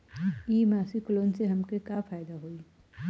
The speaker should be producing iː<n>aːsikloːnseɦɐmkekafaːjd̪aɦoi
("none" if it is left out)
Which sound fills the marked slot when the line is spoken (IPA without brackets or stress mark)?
m